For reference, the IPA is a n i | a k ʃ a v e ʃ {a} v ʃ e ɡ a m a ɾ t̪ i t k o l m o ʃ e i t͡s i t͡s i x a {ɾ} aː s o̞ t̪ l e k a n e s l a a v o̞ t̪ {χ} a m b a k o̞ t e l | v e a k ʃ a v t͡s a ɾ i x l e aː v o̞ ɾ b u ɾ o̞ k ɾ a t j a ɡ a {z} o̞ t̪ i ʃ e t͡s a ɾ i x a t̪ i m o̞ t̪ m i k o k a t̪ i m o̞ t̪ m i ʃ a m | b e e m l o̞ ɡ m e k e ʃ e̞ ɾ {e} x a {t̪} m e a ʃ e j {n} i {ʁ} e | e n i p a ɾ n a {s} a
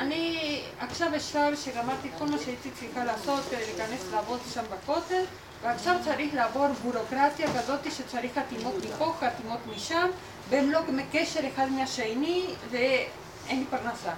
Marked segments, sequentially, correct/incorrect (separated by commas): correct, incorrect, incorrect, correct, correct, incorrect, correct, incorrect, correct